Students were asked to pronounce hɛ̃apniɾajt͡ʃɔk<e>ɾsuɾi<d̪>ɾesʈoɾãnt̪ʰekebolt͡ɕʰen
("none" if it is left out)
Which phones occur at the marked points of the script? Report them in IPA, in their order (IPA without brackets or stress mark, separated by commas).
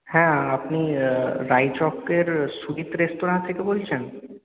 e, t̪